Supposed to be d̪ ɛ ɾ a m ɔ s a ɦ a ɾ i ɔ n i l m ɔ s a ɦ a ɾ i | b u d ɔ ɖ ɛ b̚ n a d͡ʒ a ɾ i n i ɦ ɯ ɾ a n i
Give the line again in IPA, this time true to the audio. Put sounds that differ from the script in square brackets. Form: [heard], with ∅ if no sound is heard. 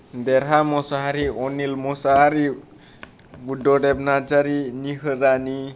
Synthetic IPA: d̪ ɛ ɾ a m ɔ s a ɦ a ɾ i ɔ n i l m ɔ s a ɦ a ɾ i | b u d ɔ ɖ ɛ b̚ n a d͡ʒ a ɾ i n i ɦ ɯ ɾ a n i